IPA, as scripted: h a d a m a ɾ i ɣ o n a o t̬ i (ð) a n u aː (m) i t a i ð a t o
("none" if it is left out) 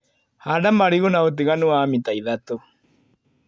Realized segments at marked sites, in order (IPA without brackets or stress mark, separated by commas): ɣ, m